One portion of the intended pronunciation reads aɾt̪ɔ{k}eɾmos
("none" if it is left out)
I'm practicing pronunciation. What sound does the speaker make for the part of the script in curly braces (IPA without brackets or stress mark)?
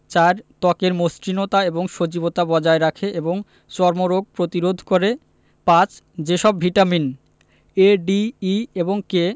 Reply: k